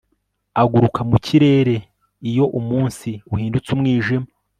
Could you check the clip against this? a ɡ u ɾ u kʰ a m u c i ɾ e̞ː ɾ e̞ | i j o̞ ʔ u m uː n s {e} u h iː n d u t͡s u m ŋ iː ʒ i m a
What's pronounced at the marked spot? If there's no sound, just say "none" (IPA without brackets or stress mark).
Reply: i